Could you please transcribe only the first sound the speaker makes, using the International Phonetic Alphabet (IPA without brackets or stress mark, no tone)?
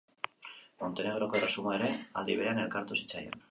m